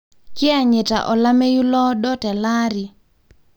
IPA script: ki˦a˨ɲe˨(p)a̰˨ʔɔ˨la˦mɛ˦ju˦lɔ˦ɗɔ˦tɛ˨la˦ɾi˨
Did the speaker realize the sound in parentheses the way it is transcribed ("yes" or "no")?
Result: no